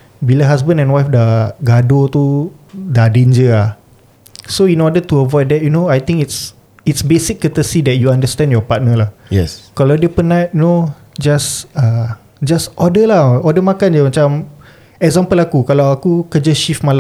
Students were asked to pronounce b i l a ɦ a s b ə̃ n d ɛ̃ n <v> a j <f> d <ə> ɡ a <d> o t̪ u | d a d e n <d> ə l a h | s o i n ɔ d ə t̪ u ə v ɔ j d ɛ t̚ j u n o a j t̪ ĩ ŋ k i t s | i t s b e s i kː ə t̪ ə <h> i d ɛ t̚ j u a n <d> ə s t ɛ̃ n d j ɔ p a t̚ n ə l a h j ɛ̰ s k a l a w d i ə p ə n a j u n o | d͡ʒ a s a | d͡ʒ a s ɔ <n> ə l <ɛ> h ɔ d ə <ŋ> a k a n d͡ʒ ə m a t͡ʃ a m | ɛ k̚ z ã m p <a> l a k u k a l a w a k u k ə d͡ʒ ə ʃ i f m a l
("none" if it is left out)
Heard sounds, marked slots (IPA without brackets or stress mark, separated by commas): w, f, a, d, d͡ʒ, s, d, d, a, m, ə